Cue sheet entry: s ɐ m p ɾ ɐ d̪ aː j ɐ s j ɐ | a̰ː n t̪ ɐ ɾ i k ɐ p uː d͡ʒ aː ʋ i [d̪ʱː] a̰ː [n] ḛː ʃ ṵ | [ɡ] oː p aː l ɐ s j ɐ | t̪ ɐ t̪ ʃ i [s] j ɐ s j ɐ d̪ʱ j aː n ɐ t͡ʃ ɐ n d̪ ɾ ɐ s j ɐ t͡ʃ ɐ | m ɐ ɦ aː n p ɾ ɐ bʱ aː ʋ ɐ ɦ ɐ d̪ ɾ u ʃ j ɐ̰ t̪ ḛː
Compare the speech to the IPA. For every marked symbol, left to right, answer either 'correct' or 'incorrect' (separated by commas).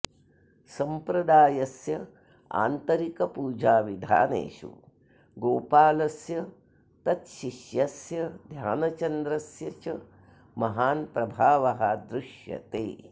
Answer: incorrect, correct, correct, incorrect